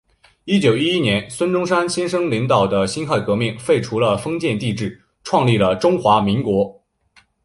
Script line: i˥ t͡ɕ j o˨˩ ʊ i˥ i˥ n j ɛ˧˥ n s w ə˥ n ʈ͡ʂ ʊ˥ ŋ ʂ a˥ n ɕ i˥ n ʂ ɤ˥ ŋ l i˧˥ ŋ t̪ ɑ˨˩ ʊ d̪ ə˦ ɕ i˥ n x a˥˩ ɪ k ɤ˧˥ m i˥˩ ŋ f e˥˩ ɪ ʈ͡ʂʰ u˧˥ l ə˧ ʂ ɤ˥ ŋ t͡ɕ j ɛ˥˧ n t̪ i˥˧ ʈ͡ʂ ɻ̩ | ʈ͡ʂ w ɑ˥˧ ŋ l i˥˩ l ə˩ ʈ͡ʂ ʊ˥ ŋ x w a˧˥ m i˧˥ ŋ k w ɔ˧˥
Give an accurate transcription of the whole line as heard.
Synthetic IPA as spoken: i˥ t͡ɕ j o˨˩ ʊ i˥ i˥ n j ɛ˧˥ n s w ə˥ n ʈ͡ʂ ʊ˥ ŋ ʂ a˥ n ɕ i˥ n ʂ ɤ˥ ŋ l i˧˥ ŋ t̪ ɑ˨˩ ʊ d̪ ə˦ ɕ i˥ n x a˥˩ ɪ k ɤ˧˥ m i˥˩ ŋ f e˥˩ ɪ ʈ͡ʂʰ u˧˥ l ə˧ f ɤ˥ ŋ t͡ɕ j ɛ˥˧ n t̪ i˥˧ ʈ͡ʂ ɻ̩ | ʈ͡ʂʰ w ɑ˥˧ ŋ l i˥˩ l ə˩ ʈ͡ʂ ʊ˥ ŋ x w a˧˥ m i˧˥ ŋ k w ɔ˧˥